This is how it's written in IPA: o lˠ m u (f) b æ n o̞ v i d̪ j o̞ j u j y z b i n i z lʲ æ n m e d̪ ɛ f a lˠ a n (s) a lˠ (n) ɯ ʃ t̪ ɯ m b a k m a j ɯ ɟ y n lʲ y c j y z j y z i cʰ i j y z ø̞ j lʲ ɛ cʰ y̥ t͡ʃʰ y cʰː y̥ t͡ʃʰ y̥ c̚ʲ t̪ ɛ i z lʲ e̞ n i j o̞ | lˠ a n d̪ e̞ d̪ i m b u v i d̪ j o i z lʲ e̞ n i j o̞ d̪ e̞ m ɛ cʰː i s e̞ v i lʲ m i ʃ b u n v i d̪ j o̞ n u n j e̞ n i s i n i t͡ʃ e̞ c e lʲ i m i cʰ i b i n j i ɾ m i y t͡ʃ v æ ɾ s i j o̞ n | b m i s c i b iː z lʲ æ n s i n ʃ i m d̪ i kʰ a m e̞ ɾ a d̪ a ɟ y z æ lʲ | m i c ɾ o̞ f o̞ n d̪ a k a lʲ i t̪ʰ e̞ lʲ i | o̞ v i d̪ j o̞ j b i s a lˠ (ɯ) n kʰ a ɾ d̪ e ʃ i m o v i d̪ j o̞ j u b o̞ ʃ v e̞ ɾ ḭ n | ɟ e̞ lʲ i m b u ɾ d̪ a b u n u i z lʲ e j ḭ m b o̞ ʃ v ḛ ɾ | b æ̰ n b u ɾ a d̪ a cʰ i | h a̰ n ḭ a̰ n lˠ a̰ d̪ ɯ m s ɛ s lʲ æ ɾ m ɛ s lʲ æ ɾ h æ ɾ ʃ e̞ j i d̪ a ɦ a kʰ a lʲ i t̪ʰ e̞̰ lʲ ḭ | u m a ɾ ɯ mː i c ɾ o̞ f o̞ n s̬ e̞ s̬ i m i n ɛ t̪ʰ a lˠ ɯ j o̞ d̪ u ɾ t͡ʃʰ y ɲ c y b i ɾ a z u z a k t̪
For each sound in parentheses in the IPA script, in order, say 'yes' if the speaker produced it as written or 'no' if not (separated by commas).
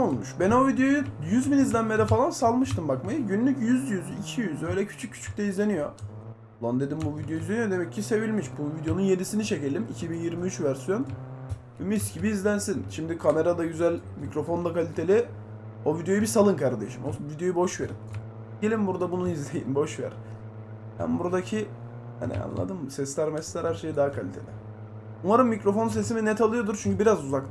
no, yes, no, yes